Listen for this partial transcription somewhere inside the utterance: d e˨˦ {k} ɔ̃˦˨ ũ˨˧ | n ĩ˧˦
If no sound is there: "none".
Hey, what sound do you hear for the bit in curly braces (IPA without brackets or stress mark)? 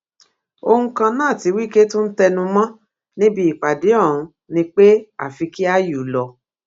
none